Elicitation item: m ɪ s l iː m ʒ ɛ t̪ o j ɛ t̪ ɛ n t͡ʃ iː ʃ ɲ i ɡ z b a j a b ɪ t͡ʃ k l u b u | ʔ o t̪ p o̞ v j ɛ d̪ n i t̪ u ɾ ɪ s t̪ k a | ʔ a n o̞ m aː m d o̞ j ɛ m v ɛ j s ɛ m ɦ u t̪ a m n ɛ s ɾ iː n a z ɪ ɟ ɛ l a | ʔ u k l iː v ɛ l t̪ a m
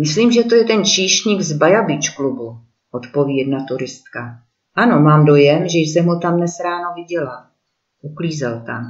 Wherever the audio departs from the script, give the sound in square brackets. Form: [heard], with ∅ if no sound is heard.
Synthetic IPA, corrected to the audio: m ɪ s l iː m ʒ ɛ t̪ o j ɛ t̪ ɛ n t͡ʃ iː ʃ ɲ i ɡ z b a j a b ɪ t͡ʃ k l u b u | ʔ o t̪ p o̞ v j ɛ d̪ n [a] t̪ u ɾ ɪ s t̪ k a | ʔ a n o̞ m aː m d o̞ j ɛ m [ʒ] ɛ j s ɛ m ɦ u t̪ a m n ɛ s ɾ [aː] n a [v] ɪ ɟ ɛ l a | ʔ u k l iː [z] ɛ l t̪ a m